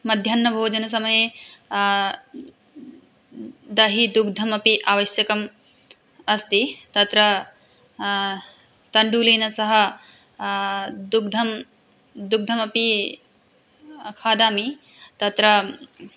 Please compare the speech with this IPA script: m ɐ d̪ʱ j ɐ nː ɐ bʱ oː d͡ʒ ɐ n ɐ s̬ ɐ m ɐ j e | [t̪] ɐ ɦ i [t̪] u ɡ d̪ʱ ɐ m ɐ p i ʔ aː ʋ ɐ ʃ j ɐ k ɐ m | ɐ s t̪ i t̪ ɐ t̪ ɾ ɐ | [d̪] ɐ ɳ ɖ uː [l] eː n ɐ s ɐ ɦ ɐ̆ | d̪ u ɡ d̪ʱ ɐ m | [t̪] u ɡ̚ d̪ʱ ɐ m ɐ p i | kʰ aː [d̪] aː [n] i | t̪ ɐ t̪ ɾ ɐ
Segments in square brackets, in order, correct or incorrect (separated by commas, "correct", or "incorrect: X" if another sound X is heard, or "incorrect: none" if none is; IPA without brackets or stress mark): incorrect: d̪, incorrect: d̪, incorrect: t̪, correct, incorrect: d̪, correct, incorrect: m